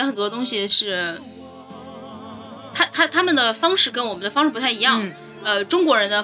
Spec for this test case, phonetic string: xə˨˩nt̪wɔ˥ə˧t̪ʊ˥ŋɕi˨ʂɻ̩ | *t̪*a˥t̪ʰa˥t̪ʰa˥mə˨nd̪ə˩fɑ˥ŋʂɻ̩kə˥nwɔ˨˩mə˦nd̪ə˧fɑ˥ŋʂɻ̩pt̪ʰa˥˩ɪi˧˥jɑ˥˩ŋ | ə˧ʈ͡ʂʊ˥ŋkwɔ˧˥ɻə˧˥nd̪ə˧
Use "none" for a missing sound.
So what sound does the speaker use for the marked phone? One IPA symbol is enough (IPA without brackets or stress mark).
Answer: t̪ʰ